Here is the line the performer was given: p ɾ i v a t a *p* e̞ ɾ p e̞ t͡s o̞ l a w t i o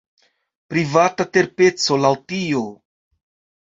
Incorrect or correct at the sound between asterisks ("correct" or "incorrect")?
incorrect